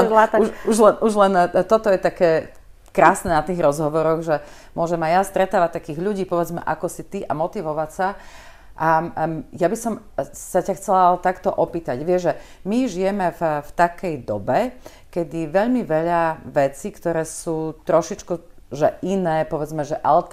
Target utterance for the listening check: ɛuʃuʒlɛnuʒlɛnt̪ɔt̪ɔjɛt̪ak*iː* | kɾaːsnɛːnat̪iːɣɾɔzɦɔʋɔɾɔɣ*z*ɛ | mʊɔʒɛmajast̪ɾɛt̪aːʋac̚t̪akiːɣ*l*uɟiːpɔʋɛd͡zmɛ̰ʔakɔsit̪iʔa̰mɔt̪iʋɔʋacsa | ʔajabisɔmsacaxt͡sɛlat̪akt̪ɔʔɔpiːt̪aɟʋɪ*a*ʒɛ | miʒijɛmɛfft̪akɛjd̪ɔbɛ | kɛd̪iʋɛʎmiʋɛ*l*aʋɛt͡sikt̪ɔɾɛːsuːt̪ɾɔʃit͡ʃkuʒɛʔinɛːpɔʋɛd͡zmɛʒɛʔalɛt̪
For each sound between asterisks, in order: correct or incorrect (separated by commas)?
incorrect, incorrect, incorrect, incorrect, incorrect